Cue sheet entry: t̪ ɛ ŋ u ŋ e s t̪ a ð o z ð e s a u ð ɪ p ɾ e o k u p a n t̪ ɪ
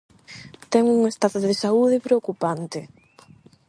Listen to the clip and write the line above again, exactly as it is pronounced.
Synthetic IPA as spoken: t̪ ɛ ŋ u ŋ e s t̪ a ð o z ð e s a u ð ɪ p ɾ e o k u p a n t̪ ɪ